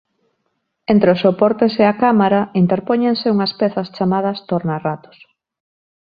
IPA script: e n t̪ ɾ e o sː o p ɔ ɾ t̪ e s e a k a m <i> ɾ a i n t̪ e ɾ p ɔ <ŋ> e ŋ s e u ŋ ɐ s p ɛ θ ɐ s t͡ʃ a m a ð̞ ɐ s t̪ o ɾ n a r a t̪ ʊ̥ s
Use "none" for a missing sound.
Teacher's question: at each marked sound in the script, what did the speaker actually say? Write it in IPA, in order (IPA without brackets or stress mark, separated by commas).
a, ɲ